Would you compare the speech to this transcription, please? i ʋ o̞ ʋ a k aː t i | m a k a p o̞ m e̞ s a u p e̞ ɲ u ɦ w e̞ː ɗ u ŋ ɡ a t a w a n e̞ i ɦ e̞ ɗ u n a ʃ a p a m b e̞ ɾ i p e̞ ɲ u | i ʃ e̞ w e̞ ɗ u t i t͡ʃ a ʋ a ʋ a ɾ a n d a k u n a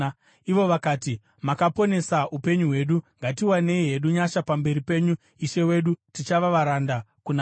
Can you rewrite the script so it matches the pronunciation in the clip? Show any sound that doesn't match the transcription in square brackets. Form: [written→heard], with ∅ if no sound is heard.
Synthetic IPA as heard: i ʋ o̞ ʋ a k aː t i | m a k a p o̞ [m→n] e̞ s a u p e̞ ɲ u ɦ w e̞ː ɗ u ŋ ɡ a t [a→i] w a n e̞ i ɦ e̞ ɗ u [n→ɲ] a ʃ a p a m b e̞ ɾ i p e̞ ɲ u | i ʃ e̞ w e̞ ɗ u t i t͡ʃ a ʋ a ʋ a ɾ a n d a k u n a